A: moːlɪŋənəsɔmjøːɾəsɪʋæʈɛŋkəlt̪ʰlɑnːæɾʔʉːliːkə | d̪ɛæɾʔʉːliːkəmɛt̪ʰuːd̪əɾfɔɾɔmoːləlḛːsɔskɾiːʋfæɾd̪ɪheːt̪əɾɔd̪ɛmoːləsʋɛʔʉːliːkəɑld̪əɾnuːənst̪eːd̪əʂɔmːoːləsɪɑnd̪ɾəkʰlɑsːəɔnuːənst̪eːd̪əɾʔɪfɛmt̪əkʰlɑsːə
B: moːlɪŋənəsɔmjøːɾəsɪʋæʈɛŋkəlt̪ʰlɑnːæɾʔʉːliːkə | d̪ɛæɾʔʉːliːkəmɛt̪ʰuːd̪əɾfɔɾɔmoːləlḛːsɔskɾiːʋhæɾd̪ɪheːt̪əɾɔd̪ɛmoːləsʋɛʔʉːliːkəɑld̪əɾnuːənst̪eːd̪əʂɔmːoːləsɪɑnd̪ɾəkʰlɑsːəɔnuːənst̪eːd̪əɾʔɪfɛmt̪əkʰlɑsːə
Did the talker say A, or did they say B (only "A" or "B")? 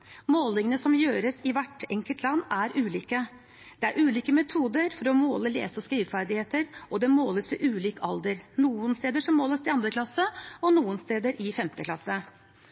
A